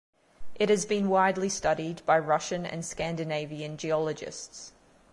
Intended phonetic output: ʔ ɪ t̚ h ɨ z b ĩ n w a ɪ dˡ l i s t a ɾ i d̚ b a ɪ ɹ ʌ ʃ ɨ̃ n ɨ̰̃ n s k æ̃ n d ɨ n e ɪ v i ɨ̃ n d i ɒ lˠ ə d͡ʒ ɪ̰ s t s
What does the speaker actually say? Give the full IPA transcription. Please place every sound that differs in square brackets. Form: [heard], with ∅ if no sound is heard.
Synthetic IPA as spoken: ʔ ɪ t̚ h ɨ z b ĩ n w a ɪ dˡ l i s t [ʌ] ɾ i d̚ b a ɪ ɹ ʌ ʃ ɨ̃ n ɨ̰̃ n s k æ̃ n d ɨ n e ɪ v i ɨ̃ n [d͡ʒ] i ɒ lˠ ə d͡ʒ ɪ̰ s t s